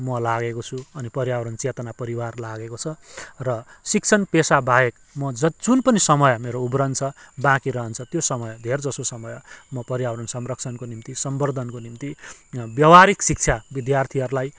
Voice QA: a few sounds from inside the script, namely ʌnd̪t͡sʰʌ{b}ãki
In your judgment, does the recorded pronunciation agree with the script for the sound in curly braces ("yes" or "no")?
yes